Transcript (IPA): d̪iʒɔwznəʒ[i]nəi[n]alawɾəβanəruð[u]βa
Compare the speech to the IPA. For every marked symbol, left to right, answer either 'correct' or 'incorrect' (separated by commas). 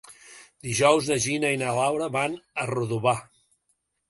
correct, correct, correct